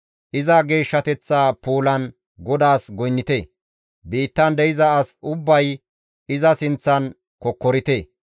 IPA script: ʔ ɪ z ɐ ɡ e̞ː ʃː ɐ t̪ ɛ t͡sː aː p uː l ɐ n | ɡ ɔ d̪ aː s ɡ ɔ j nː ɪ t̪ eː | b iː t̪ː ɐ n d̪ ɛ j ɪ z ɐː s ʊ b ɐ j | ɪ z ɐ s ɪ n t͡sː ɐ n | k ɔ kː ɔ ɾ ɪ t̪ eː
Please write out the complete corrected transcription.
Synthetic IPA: ʔ ɪ z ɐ ɡ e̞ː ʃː ɐ t̪ ɛ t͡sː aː p uː l ɐ n | ɡ ɔ d̪ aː s ɡ ɔ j nː ɪ t̪ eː | b iː t̪ː ɐ n d̪ ɛ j ɪ z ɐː s ʊ bː ɐ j | ɪ z ɐ s ɪ n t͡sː ɐ n | k ɔ kː ɔ ɾ ɪ t̪ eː